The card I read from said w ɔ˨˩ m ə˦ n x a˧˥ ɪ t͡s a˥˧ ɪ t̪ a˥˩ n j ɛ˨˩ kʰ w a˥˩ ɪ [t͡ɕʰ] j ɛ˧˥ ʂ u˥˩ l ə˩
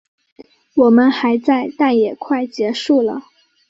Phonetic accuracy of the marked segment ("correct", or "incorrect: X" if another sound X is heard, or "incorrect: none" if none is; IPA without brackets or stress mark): incorrect: t͡ɕ